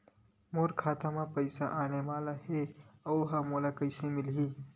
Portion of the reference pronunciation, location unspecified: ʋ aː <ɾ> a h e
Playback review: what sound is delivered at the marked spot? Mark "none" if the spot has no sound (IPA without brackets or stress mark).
l